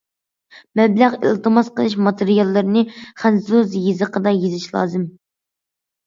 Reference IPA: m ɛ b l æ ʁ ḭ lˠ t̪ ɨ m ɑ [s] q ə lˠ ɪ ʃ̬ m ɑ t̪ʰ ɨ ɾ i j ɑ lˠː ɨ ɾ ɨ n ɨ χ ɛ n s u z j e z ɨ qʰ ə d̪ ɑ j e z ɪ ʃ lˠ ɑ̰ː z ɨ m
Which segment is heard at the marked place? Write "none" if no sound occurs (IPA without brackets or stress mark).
s